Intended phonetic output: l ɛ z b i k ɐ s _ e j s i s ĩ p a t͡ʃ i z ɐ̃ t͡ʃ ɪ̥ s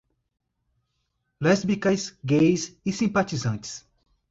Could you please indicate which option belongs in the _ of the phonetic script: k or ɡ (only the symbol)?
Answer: ɡ